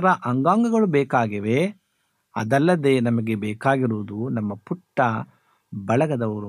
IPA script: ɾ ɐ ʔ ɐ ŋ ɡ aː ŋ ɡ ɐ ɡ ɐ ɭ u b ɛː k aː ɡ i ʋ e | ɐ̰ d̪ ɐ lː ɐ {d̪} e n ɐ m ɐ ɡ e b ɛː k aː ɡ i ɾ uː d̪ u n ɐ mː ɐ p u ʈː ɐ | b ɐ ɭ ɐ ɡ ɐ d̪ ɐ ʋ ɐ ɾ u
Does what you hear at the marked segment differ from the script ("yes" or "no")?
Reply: no